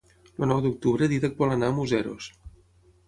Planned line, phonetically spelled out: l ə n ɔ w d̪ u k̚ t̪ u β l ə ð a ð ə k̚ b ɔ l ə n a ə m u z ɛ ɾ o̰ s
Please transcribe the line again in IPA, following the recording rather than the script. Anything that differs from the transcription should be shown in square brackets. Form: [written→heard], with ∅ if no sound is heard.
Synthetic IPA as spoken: l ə n ɔ w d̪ u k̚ t̪ u β [l→ɾ] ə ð [a→i] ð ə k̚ b ɔ l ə n a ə m u z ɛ ɾ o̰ s